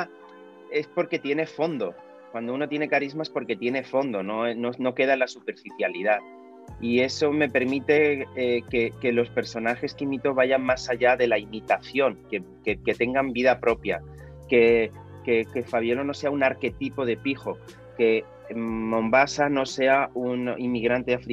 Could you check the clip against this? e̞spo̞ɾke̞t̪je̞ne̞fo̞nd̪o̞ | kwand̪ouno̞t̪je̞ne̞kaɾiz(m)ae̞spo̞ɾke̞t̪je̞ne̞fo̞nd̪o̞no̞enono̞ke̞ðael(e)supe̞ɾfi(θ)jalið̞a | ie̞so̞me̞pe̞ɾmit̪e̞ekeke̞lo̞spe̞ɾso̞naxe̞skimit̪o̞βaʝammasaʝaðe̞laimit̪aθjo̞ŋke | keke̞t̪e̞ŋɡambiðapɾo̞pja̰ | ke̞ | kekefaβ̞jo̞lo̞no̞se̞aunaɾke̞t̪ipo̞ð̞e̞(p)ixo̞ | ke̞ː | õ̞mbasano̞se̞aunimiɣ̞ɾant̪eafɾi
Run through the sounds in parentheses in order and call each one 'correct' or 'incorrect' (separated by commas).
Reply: correct, incorrect, correct, correct